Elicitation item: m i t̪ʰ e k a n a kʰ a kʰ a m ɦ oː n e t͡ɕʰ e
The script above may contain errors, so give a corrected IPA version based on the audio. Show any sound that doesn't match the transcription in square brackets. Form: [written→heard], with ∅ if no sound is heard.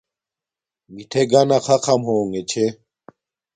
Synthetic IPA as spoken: m i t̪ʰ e [k→ɡ] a n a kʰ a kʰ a m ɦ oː [n→ŋ] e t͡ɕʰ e